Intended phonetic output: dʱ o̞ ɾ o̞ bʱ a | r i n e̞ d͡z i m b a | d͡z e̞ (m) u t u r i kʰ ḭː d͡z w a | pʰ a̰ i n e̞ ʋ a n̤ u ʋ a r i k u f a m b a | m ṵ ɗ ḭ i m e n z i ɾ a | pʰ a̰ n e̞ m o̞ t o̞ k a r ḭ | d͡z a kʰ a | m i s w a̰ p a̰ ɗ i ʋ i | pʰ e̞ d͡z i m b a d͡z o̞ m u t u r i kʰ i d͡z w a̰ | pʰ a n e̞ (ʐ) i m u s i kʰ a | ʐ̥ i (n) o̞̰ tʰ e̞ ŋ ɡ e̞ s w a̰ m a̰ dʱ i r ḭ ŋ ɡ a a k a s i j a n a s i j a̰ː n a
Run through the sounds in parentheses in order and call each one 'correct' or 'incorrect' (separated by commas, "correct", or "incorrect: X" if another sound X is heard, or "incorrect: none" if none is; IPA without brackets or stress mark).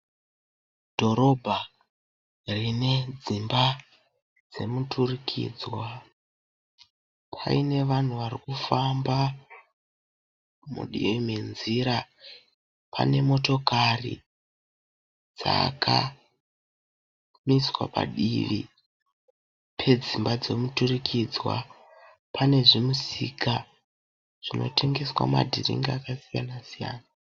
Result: correct, correct, correct